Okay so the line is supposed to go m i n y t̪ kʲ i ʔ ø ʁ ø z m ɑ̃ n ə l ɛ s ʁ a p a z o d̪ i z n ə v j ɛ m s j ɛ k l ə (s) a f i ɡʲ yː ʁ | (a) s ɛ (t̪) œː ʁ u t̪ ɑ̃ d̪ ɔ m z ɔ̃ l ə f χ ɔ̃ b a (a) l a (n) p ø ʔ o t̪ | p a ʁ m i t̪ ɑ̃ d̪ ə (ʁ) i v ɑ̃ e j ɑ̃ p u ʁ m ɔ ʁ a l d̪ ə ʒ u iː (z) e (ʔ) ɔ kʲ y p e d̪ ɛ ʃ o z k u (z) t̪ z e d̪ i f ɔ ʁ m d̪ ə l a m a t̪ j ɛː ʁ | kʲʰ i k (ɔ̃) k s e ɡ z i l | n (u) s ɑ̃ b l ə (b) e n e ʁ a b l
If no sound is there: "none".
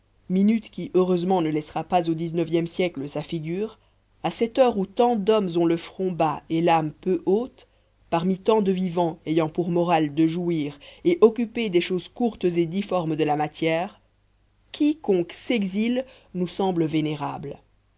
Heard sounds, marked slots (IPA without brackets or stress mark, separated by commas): s, a, t̪, e, m, v, ʁ, ʔ, ʁ, ɔ̃, u, v